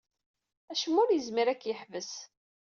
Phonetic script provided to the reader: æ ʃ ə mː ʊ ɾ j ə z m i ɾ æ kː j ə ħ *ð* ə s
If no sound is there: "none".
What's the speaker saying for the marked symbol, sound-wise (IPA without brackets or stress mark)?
v